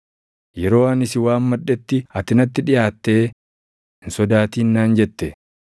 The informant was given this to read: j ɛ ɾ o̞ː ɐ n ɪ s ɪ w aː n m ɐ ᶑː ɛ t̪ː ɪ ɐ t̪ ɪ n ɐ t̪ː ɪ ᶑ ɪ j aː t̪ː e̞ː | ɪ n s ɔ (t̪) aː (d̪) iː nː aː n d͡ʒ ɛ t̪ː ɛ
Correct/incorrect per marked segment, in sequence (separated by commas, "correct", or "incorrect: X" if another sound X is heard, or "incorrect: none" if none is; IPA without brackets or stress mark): incorrect: d̪, incorrect: t̪